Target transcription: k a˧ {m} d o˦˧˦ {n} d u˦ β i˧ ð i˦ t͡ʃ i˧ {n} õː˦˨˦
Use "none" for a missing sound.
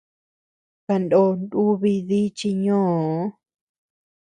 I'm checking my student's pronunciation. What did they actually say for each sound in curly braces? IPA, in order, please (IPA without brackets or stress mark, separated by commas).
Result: n, n, ɲ